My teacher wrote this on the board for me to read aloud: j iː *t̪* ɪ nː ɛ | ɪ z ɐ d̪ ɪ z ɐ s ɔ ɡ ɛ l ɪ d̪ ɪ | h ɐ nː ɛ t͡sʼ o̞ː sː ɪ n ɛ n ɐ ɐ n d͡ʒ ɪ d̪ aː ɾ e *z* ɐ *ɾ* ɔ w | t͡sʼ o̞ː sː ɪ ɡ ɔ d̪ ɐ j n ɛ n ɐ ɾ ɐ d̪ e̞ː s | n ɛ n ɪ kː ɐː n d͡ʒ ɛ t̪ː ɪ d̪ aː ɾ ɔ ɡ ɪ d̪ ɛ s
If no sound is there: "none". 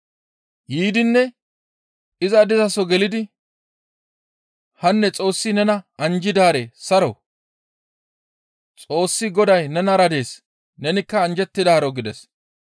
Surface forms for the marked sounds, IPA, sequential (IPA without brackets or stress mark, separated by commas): d̪, s, ɾ